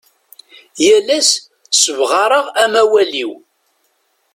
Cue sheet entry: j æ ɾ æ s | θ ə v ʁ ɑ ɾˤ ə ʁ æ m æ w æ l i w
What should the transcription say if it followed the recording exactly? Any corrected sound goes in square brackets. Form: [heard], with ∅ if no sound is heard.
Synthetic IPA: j æ [l] æ s | [s] ə v ʁ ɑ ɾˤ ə ʁ æ m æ w æ l i w